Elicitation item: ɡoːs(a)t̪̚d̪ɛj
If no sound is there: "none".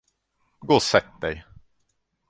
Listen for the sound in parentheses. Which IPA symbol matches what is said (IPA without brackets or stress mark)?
ɛ